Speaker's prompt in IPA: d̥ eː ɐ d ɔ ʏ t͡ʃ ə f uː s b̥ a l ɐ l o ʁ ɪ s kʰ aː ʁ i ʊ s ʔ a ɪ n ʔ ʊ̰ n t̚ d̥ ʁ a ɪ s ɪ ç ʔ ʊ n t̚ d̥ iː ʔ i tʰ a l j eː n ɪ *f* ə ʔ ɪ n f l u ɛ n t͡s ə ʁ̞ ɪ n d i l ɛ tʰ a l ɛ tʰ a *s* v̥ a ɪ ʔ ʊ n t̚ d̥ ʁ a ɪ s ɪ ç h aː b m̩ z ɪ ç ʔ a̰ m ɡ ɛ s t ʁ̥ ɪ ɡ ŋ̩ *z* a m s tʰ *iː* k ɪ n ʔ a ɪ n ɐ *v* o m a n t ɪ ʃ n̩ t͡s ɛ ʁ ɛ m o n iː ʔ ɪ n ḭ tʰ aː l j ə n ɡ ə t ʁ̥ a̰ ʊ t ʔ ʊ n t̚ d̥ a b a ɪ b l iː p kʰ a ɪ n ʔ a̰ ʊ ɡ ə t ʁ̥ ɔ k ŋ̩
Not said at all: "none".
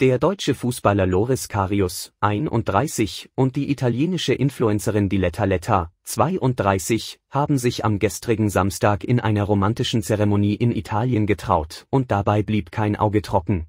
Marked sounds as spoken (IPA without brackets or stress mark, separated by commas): ʃ, t͡s, z, aː, ʁ